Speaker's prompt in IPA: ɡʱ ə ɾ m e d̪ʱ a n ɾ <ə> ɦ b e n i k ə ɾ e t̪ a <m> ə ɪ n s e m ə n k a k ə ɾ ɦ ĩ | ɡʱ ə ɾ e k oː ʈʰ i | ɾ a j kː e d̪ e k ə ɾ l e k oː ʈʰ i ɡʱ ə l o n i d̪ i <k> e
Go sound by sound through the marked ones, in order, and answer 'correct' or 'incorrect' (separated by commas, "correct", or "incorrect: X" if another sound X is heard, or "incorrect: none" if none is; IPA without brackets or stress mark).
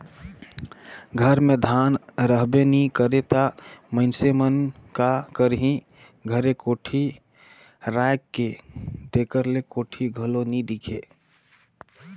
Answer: correct, correct, incorrect: kʰ